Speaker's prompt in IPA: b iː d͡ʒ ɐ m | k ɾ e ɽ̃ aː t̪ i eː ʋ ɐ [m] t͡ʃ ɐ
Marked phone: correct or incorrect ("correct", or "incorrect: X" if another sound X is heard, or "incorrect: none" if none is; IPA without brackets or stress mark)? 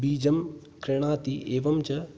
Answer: correct